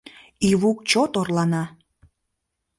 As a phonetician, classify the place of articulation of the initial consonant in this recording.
labial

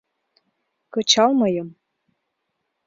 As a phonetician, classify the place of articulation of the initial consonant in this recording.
velar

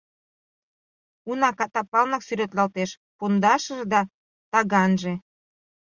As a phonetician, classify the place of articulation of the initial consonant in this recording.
alveolar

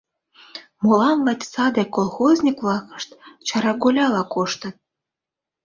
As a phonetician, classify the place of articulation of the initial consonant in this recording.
labial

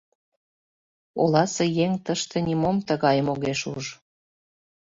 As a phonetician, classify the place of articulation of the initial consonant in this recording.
alveolar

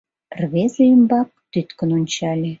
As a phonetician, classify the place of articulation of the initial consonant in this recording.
alveolar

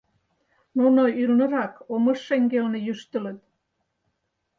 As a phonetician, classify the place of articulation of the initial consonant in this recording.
alveolar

